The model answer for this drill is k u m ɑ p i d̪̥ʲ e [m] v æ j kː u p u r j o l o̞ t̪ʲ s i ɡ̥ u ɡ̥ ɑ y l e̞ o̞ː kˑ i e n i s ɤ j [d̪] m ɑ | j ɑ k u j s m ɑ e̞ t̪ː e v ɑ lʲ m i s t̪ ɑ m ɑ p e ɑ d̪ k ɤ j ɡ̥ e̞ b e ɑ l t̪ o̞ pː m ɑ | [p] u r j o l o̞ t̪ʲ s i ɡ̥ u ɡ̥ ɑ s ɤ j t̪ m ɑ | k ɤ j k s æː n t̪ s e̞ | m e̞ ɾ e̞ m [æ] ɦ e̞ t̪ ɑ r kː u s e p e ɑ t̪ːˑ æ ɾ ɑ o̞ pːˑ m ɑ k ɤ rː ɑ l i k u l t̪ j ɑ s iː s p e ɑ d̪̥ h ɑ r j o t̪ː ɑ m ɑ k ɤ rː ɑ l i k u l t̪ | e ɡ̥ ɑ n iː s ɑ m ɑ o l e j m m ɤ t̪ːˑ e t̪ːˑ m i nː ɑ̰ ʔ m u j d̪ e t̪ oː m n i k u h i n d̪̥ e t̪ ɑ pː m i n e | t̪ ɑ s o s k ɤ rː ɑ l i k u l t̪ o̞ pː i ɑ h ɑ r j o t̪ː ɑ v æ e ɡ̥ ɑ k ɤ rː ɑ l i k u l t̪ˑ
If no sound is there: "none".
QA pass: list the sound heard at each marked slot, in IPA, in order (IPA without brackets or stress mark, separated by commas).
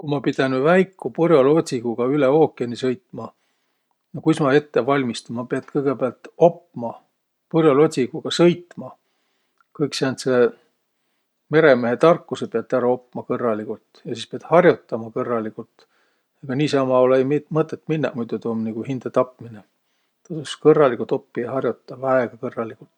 n, t̪, p, e